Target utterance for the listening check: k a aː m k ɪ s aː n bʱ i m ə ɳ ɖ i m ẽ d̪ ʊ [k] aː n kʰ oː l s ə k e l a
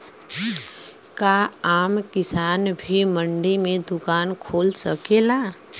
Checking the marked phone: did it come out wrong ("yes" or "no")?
no